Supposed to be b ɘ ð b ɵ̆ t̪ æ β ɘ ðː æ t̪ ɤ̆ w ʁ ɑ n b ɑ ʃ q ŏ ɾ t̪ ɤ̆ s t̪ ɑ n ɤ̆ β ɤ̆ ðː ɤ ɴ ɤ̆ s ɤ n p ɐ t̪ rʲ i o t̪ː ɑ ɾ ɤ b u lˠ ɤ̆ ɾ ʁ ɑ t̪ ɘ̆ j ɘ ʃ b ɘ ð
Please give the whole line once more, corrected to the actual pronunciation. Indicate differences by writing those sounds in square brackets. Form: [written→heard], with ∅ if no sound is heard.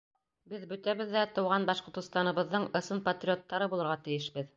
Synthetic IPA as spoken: b ɘ ð b ɵ̆ t̪ æ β ɘ ðː æ t̪ ɤ̆ w ʁ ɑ n b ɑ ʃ q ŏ ɾ t̪ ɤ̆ s t̪ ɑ n ɤ̆ β ɤ̆ ðː ɤ ɴ ɤ̆ s ɤ n p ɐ t̪ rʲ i o t̪ː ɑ ɾ ɤ b u lˠ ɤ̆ ɾ ʁ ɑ t̪ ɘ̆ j ɘ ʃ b ɘ ð